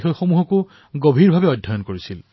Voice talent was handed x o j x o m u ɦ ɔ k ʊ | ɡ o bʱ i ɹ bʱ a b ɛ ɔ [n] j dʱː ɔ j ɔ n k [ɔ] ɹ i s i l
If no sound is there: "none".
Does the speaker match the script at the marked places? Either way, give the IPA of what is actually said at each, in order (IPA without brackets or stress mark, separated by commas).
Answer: none, o